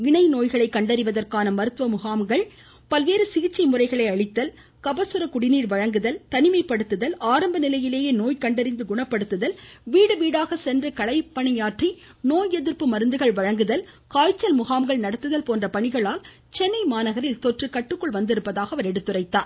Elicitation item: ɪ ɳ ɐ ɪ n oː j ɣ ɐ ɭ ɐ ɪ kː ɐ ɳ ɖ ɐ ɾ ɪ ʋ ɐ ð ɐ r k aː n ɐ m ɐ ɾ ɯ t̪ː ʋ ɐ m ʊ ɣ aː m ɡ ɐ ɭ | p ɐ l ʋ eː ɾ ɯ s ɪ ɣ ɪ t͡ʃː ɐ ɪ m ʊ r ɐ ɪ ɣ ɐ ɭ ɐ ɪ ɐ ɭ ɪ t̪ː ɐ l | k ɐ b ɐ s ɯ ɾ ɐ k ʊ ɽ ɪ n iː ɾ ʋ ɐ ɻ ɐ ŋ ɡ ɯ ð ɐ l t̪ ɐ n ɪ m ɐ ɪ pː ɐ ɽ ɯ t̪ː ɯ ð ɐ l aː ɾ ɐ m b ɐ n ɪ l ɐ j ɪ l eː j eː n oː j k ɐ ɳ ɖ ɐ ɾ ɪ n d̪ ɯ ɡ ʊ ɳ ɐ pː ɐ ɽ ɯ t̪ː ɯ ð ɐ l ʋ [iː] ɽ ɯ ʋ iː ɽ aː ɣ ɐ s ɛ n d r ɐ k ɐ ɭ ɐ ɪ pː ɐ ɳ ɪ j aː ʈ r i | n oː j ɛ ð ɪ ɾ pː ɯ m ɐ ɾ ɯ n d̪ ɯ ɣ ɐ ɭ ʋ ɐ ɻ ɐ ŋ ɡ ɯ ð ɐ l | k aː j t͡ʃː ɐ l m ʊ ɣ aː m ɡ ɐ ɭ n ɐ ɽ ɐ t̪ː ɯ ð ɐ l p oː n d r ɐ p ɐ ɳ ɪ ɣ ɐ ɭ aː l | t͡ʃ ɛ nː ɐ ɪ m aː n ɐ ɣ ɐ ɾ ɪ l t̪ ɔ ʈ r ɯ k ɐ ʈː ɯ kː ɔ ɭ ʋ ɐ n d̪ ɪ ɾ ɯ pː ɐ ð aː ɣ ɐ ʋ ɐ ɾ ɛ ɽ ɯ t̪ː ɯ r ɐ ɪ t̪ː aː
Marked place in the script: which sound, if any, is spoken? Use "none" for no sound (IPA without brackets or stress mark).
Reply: iː